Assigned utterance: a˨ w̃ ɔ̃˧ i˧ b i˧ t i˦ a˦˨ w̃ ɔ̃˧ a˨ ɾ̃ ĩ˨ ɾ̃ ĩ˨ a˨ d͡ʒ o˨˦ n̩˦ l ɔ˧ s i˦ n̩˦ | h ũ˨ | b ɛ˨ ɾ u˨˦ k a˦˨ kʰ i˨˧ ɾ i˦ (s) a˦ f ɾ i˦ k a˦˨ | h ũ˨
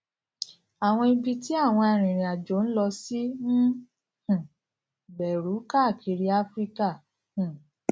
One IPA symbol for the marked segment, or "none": none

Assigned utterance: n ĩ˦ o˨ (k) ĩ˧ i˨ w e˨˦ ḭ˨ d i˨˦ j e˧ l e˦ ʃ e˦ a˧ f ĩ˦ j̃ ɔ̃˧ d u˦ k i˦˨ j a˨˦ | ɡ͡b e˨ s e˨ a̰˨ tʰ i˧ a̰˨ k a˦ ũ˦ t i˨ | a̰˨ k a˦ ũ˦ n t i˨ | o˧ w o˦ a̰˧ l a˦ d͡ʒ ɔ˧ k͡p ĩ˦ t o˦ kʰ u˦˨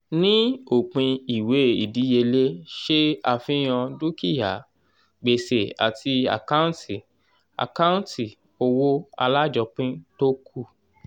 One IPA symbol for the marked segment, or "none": k͡p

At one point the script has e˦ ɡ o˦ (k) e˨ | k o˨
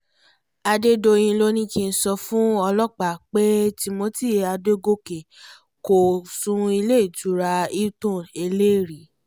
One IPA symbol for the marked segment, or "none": k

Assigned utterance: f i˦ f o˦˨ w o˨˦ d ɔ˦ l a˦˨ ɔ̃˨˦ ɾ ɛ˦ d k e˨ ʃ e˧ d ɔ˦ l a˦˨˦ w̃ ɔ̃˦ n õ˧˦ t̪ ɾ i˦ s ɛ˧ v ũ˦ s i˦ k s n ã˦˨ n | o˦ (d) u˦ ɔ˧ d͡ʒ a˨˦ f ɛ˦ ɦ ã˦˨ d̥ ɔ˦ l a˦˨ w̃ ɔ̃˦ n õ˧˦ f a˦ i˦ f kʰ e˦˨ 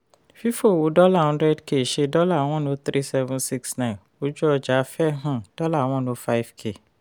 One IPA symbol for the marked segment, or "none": d͡ʒ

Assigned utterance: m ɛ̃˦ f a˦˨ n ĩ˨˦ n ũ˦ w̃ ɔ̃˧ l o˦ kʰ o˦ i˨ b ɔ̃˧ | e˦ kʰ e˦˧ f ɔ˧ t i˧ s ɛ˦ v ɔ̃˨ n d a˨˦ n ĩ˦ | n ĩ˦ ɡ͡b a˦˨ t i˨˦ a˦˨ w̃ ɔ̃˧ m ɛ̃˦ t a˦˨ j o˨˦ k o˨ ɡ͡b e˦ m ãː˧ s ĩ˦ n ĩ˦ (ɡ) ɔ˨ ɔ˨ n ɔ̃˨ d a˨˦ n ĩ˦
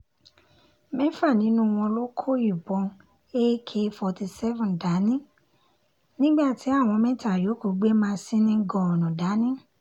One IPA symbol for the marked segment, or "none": ɡ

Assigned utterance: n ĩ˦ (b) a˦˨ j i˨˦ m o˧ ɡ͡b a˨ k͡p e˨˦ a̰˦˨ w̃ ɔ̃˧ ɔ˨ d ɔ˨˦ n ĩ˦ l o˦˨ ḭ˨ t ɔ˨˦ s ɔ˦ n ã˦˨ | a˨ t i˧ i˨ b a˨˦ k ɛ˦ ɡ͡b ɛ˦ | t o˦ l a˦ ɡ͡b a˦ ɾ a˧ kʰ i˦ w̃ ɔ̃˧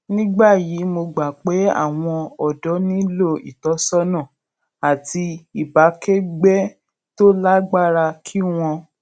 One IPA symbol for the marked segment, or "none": ɡ͡b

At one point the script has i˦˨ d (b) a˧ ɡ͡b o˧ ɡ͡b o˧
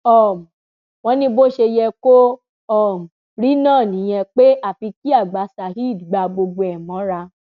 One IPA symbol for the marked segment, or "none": ɡ͡b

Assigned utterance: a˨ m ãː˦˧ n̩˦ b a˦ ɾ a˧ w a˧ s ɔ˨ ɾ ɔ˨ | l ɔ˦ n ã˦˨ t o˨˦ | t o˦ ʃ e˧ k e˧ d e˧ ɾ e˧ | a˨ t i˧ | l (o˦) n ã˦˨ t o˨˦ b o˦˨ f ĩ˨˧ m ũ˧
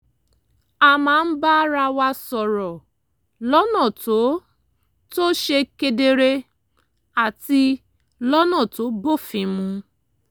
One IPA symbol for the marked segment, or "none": ɔ˦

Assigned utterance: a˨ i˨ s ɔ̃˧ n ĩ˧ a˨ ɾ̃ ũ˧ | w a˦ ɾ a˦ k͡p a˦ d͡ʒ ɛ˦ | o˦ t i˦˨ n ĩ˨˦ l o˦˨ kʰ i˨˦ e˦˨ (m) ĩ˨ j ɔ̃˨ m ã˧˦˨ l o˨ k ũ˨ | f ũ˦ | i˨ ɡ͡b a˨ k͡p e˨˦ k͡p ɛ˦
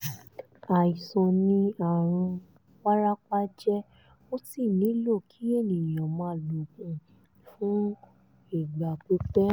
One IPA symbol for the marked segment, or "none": n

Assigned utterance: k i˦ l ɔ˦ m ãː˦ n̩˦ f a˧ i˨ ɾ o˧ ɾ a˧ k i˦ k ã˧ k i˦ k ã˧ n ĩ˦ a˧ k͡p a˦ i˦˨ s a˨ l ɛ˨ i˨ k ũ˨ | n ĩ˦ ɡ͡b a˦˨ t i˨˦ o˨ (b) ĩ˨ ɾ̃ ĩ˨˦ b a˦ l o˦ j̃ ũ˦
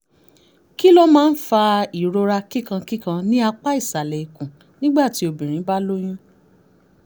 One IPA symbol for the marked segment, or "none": b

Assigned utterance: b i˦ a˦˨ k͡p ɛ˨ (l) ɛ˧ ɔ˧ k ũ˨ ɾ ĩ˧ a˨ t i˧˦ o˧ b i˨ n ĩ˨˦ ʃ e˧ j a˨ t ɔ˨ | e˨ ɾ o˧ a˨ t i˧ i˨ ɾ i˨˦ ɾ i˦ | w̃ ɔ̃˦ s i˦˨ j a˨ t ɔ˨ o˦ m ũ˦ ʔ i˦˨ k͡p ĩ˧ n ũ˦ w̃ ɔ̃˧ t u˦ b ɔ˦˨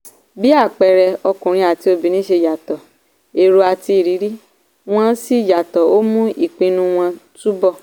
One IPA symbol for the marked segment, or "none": ɾ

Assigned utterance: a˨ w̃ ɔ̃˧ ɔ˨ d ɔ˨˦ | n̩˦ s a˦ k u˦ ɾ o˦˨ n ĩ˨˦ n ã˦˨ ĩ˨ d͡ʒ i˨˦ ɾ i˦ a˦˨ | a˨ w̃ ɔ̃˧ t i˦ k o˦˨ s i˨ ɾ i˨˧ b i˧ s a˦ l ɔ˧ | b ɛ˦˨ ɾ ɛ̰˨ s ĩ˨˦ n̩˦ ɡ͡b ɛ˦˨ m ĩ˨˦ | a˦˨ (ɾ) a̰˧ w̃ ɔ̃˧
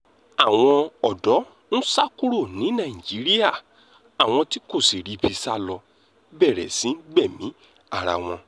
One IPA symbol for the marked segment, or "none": ɾ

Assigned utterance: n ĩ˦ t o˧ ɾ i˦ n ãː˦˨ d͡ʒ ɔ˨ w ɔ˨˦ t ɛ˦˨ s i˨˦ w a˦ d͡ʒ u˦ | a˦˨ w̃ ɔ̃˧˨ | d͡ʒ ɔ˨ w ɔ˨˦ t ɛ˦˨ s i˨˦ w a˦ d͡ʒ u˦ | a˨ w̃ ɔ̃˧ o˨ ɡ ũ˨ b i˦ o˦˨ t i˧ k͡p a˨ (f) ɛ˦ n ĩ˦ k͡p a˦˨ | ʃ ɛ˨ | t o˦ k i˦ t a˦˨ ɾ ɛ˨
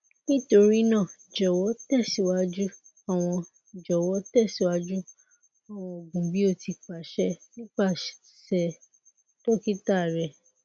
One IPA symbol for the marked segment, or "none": ʃ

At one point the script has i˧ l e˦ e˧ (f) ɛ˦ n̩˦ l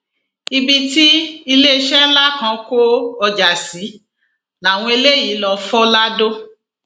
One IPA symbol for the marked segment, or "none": ʃ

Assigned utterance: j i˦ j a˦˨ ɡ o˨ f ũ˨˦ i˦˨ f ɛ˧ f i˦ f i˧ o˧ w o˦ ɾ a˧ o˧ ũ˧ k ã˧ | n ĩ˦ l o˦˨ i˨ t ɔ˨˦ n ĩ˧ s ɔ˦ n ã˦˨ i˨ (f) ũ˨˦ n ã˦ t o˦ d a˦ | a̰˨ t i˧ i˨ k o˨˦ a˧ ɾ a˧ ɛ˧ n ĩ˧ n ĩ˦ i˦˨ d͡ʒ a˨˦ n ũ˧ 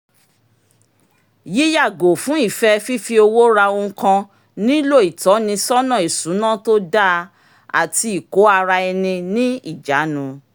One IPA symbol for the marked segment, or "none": s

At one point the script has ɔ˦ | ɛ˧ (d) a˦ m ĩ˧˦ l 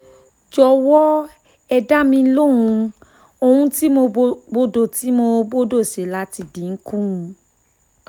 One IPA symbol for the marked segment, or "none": d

